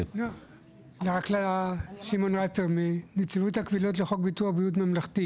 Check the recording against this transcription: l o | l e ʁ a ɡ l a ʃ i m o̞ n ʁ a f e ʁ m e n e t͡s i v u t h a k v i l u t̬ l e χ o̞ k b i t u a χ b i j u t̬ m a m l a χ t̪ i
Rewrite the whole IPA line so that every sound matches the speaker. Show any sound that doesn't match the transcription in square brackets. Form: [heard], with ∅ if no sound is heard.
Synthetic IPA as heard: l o | l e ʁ a [k] l a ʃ i m o̞ n ʁ a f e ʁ m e n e t͡s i v u t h a k v i l [o] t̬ l e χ o̞ k b i t u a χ b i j u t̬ m a m l a χ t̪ i